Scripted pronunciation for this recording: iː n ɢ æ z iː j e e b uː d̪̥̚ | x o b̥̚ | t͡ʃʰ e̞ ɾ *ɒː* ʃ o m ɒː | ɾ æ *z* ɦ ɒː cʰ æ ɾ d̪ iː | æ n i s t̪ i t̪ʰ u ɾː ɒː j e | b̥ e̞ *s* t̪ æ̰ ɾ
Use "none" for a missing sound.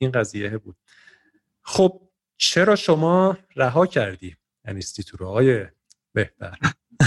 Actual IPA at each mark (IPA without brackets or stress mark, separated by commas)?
ɒː, none, h